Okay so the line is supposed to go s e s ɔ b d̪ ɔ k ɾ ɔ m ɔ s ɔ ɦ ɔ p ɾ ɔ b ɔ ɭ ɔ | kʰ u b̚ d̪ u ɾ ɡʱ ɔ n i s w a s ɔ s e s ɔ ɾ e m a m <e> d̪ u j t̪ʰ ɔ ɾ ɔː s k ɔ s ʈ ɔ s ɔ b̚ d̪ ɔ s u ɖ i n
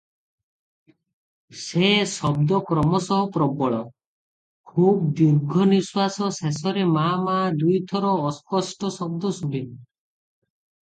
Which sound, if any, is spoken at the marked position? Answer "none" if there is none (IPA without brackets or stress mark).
a